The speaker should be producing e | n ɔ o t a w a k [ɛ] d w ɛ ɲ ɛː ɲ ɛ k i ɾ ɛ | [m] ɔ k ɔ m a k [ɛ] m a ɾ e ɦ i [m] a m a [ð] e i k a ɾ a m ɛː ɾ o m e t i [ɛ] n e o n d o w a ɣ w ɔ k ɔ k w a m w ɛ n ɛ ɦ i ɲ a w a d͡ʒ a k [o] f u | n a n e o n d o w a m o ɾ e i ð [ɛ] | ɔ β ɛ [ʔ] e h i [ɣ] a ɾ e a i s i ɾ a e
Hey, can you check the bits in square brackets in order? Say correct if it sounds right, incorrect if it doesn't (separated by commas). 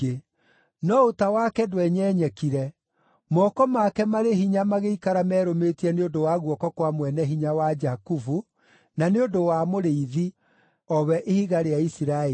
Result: correct, correct, correct, incorrect, incorrect, correct, incorrect, incorrect, correct, correct